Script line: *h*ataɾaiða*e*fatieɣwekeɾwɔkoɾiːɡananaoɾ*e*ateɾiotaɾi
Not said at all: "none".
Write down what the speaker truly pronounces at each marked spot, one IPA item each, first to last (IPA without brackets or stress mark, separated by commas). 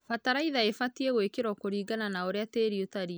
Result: f, e, e